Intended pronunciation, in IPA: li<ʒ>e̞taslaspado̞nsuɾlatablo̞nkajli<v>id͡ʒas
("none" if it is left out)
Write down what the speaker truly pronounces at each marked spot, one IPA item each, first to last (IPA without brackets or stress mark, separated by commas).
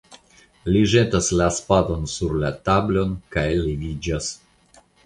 ʒ, v